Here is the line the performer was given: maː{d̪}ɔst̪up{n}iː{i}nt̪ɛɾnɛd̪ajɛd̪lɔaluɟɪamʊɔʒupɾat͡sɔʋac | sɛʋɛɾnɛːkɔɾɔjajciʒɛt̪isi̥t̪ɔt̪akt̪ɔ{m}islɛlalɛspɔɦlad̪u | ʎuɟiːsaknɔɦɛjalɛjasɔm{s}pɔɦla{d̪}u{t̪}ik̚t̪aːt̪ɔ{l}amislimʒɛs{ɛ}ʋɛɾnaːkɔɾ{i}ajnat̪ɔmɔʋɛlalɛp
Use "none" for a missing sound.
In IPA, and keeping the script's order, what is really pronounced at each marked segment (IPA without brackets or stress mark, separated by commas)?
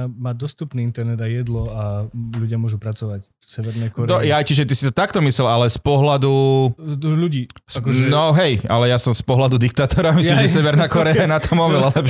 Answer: d̪, n, i, m, s, d̪, d̪, ɾ, ɛ, ɛ